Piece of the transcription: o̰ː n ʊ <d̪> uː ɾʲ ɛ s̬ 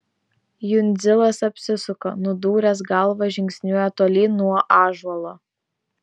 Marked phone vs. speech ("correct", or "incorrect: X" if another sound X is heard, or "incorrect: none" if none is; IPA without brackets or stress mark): correct